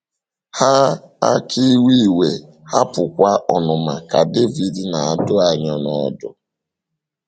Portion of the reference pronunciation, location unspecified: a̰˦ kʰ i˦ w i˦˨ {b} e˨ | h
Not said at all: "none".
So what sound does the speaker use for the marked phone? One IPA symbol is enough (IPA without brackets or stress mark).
w